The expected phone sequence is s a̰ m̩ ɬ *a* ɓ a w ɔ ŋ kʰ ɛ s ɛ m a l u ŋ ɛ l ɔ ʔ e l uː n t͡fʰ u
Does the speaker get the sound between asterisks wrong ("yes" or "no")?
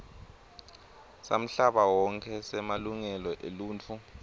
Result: no